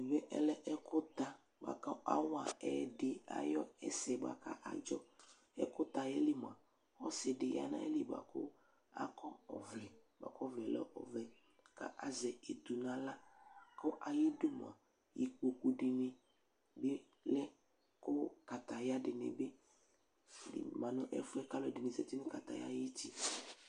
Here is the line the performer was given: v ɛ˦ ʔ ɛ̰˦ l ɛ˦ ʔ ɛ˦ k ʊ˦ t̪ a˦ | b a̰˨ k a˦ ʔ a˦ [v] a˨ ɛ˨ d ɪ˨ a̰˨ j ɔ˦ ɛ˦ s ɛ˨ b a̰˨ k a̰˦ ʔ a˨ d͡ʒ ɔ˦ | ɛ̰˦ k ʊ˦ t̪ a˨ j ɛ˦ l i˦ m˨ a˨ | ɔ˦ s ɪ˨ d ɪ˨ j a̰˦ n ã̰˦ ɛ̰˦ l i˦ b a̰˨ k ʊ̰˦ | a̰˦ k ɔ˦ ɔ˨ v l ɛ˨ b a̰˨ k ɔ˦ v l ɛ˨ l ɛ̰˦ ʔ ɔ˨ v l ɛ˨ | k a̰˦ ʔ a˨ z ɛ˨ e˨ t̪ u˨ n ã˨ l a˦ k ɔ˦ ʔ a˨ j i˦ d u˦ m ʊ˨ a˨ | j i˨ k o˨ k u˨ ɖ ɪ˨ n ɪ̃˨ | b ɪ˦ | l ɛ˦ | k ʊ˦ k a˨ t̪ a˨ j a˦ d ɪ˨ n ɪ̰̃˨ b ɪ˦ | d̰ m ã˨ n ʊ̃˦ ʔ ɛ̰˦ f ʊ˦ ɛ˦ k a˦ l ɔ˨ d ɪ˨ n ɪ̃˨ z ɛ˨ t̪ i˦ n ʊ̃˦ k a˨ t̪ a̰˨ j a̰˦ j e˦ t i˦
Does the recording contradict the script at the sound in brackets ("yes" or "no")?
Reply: yes